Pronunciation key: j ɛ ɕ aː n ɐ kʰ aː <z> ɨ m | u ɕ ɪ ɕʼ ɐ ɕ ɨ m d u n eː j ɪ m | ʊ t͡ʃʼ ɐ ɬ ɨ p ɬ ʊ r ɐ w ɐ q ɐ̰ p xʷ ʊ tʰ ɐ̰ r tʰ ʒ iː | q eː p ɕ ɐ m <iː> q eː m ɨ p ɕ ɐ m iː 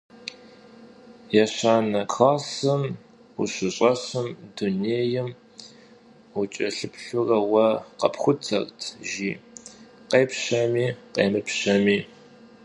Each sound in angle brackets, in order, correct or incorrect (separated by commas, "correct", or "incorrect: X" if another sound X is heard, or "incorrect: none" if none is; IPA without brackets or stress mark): incorrect: s, correct